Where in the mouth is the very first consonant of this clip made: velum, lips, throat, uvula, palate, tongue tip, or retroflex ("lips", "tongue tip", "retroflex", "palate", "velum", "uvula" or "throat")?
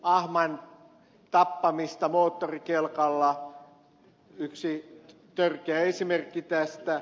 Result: throat